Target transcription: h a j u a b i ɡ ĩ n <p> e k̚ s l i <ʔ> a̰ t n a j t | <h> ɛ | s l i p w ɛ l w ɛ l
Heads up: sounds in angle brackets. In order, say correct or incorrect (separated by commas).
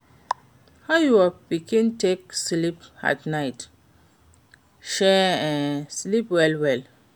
incorrect, incorrect, incorrect